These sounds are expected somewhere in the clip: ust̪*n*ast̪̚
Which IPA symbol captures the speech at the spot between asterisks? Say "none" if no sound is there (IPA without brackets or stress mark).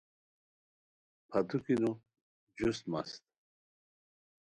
m